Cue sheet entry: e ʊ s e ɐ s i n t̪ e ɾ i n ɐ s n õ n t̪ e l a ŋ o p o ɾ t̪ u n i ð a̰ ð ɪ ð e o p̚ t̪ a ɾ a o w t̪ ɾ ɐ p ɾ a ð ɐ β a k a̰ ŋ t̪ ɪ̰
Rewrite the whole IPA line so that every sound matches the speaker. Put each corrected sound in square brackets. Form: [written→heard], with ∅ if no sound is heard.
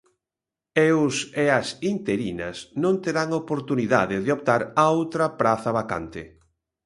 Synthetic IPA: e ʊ s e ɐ s i n t̪ e ɾ i n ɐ s n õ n t̪ e [l→ɾ] a ŋ o p o ɾ t̪ u n i ð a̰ ð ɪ ð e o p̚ t̪ a ɾ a o w t̪ ɾ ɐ p ɾ a [ð→θ] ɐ β a k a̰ [ŋ→n] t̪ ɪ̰